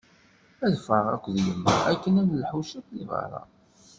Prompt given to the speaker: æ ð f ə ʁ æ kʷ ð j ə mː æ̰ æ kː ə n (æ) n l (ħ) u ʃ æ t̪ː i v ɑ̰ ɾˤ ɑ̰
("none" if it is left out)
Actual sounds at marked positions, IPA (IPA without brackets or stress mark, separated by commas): æ, ħ